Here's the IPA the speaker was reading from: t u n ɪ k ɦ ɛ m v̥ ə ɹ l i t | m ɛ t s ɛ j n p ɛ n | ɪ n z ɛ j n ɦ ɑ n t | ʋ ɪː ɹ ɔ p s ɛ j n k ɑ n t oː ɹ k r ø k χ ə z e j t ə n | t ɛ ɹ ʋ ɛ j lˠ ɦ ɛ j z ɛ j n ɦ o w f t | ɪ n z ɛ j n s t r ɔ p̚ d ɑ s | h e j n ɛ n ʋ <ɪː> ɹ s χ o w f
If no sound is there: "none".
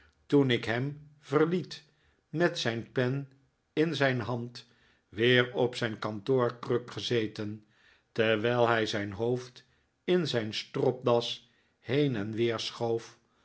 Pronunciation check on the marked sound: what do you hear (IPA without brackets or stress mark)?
ɪː